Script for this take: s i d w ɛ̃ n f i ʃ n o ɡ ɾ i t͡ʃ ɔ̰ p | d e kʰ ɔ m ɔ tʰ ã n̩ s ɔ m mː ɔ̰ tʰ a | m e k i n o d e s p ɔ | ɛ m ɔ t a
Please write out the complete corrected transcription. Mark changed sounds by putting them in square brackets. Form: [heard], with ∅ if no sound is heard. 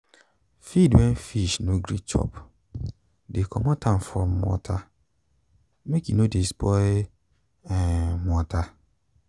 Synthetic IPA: [f] i d w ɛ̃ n f i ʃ n o ɡ ɾ i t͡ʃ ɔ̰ p | d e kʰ ɔ m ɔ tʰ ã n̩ [f] ɔ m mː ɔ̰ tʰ a | m e k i n o d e s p ɔ | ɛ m ɔ t a